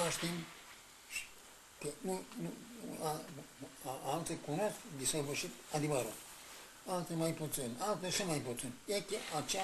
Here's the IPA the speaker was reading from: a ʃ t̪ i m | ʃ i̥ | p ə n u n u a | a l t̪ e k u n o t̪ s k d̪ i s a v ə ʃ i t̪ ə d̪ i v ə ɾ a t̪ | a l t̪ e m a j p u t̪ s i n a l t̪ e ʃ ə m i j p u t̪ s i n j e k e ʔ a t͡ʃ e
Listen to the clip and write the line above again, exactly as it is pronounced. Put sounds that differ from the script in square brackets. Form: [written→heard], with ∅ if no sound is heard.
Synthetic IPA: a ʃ t̪ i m | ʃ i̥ | [p→k] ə n u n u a | a l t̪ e k u n o [t̪→∅] s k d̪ i s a v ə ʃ i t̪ [ə→a] d̪ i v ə ɾ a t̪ | a l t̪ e m a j p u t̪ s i n a l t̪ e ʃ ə m [i→a] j p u t̪ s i n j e k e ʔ a t͡ʃ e